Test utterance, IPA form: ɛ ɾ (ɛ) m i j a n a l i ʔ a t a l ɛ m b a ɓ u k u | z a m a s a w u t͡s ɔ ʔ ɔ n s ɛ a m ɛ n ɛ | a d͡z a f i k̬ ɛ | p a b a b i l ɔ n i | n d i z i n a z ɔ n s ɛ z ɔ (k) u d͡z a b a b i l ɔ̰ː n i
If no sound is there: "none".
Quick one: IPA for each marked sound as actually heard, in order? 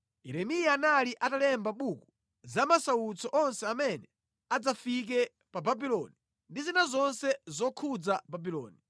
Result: ɛ, kʰ

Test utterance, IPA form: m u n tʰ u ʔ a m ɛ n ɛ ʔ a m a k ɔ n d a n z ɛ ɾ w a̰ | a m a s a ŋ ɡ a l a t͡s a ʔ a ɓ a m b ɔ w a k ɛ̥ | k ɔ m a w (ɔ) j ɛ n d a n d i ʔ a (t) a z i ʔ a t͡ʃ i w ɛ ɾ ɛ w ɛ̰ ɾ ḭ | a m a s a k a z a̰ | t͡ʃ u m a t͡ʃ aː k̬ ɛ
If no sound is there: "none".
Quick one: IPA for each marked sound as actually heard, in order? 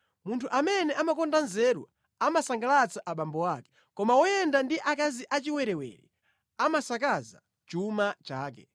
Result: ɔ, k

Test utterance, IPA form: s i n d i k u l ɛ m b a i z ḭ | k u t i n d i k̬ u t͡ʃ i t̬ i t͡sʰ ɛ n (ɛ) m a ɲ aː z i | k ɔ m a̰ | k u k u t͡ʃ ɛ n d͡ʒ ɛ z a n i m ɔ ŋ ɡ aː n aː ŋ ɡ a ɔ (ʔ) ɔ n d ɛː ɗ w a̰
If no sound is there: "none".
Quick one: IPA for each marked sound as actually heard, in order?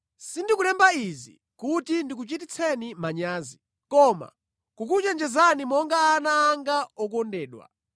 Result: i, k

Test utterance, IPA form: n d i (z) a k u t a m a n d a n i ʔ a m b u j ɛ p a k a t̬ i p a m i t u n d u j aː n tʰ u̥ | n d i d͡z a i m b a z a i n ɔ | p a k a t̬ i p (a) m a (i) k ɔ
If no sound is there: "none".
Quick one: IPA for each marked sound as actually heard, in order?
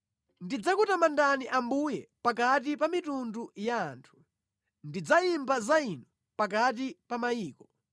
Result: d͡z, a, iː

